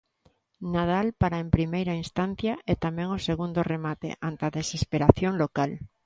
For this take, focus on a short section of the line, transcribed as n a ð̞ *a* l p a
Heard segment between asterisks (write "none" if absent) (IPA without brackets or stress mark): a